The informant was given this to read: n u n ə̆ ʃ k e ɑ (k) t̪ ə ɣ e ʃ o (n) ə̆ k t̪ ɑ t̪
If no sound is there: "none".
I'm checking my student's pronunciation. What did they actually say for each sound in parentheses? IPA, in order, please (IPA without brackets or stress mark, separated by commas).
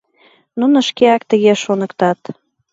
k, n